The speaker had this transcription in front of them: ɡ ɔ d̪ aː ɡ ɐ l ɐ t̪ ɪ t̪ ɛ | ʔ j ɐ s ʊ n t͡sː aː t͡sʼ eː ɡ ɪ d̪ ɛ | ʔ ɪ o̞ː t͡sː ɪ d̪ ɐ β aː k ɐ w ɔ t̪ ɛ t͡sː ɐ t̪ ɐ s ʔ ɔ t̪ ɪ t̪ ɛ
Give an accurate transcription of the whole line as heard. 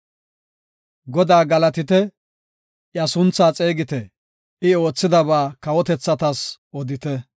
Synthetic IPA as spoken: ɡ ɔ d̪ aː ɡ ɐ l ɐ t̪ ɪ t̪ ɛ | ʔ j ɐ s ʊ n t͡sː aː t͡sʼ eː ɡ ɪ t̪ ɛ | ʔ ɪ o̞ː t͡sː ɪ d̪ ɐ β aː k ɐ w ɔ t̪ ɛ t͡sː ɐ t̪ ɐ s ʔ ɔ d̪ ɪ t̪ ɛ